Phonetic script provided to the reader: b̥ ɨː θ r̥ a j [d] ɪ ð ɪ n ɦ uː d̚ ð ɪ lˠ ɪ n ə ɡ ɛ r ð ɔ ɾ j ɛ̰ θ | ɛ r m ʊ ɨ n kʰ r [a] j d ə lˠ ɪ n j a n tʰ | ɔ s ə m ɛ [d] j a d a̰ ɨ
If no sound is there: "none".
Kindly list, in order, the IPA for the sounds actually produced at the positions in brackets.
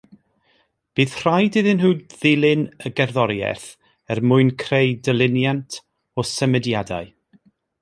d, e, d

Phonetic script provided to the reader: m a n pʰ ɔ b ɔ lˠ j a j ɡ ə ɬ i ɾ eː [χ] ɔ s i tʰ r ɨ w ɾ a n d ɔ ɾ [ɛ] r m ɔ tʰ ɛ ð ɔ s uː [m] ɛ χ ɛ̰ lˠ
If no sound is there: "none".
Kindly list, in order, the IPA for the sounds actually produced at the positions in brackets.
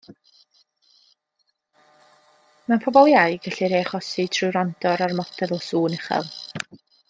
χ, a, n

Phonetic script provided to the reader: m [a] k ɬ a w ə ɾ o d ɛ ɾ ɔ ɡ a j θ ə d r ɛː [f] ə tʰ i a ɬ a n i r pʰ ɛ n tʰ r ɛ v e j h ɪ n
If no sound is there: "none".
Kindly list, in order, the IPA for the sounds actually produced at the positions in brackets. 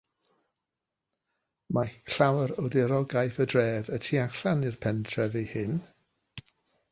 a, v

